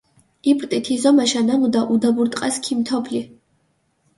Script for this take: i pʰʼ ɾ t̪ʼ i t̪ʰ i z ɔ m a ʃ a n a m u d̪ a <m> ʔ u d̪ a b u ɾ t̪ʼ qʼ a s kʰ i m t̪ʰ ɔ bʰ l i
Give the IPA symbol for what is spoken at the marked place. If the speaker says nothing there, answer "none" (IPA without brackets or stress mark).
none